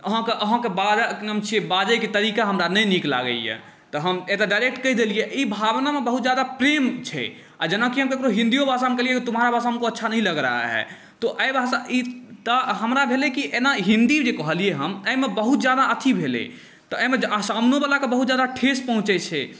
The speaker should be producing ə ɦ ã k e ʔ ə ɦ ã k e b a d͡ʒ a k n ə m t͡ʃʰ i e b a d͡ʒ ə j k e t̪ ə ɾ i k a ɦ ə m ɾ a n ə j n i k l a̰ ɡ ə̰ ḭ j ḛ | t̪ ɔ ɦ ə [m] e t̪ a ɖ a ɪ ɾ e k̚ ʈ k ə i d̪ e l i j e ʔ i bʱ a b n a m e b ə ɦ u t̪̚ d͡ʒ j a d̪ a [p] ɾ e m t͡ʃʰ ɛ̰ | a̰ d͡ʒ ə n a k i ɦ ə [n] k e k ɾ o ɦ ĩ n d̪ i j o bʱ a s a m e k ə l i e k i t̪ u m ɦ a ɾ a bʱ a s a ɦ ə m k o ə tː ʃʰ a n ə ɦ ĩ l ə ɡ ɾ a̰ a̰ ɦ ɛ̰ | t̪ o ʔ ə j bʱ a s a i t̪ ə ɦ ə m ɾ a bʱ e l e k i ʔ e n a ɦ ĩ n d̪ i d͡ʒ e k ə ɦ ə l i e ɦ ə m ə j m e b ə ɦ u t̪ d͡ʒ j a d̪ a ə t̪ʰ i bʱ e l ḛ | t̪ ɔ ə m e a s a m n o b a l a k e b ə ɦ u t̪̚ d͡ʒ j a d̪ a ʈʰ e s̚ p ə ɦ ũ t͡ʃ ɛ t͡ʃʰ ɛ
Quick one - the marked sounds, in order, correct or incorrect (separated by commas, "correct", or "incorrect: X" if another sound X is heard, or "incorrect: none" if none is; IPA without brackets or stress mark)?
correct, correct, incorrect: m